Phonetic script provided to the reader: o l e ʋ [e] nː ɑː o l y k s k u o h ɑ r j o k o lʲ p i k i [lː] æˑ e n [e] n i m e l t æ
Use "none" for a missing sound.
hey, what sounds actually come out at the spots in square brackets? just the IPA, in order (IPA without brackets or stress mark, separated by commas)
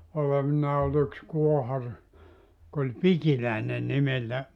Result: i, l, e